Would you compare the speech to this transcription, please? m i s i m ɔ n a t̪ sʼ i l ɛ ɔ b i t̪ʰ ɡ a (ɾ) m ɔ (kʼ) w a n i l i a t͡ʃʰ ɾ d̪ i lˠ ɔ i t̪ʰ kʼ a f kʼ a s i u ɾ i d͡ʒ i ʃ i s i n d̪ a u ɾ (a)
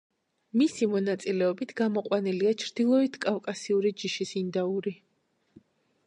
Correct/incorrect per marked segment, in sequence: incorrect, incorrect, incorrect

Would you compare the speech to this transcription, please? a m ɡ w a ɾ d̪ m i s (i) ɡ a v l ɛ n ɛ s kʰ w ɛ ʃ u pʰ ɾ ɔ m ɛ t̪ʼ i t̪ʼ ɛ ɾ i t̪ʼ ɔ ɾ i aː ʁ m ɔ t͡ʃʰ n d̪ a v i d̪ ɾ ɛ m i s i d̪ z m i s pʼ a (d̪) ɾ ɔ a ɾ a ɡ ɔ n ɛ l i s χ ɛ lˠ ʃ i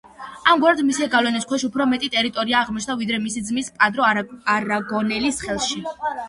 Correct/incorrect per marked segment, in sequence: incorrect, correct

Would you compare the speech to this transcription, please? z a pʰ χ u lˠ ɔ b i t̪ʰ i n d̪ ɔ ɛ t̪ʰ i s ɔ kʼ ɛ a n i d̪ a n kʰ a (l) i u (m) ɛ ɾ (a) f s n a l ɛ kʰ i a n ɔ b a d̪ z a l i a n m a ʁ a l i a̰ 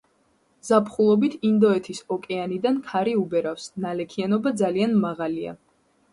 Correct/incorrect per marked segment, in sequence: incorrect, incorrect, correct

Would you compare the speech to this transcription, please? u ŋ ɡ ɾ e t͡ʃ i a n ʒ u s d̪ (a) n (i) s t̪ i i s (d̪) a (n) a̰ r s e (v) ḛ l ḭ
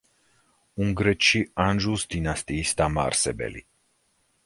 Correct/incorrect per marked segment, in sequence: incorrect, incorrect, incorrect, incorrect, incorrect

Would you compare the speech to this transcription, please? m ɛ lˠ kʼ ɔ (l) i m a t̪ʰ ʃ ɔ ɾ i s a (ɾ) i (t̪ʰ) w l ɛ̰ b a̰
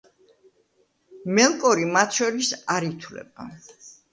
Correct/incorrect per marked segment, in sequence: incorrect, correct, correct

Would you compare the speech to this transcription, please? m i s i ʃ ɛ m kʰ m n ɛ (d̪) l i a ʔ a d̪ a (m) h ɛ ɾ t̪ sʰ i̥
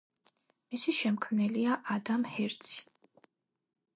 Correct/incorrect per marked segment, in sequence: incorrect, correct

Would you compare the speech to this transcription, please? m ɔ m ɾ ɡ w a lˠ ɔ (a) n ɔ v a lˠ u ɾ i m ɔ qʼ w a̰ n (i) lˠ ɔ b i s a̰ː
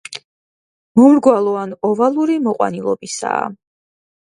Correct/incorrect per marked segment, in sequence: correct, correct

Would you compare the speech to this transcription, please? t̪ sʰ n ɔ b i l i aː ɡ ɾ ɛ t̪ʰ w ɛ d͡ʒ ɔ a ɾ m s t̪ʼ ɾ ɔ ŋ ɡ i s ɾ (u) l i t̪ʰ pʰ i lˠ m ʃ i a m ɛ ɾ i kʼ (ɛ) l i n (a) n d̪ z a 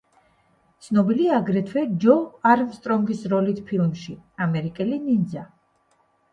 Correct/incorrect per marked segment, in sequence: incorrect, correct, incorrect

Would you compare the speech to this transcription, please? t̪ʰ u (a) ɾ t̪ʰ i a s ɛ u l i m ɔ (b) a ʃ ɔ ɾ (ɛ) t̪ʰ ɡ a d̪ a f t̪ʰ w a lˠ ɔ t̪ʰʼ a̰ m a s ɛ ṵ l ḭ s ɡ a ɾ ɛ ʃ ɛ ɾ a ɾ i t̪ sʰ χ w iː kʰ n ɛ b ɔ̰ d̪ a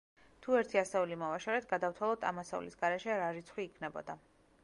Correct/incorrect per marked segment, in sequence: incorrect, incorrect, correct

